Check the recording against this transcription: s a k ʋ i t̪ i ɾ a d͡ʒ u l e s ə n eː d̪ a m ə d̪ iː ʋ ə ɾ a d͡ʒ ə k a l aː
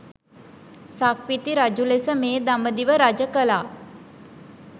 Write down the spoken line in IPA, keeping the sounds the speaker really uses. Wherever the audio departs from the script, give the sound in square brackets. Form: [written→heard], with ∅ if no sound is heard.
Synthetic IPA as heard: s a k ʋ i t̪ i ɾ a d͡ʒ u l e s ə [n→m] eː d̪ a m ə d̪ [iː→i] ʋ ə ɾ a d͡ʒ ə k [a→ə] l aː